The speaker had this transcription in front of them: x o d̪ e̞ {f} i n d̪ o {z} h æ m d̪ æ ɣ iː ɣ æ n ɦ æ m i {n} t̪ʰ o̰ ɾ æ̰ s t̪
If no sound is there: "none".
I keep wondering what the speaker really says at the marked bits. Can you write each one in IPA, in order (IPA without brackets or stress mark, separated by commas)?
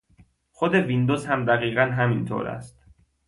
v, z, n